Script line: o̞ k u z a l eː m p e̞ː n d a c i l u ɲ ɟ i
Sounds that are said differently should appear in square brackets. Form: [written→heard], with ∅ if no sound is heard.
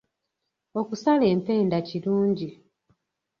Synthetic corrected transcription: o̞ k u [z→s] a l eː m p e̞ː n d a c i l [u→uː] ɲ ɟ i